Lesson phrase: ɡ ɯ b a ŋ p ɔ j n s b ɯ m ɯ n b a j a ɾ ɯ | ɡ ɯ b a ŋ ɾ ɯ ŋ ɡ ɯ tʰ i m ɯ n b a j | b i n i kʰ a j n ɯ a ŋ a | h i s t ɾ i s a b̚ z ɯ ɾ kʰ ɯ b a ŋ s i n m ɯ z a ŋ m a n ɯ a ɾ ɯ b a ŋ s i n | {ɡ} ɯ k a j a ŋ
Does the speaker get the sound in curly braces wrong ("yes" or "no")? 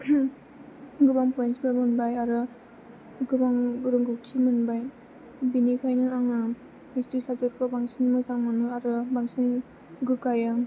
no